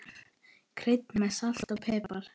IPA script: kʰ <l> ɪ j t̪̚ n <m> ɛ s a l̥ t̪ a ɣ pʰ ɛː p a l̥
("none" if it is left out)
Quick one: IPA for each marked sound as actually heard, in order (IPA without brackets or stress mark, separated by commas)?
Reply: ɾ, m